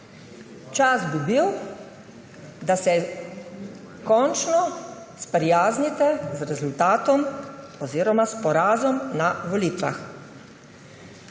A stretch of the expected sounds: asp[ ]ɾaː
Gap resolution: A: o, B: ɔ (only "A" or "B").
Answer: B